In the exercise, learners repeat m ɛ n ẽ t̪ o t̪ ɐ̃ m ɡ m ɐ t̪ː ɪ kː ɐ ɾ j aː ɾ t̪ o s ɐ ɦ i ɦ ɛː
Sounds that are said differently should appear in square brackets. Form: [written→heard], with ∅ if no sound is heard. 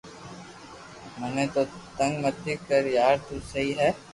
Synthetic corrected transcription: m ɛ n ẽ t̪ o t̪ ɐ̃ [m→ŋ] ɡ m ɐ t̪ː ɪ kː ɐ ɾ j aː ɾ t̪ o s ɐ ɦ i ɦ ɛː